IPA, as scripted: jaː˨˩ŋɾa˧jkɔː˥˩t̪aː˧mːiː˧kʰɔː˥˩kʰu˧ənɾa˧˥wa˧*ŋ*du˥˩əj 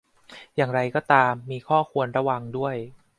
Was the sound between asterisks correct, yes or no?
yes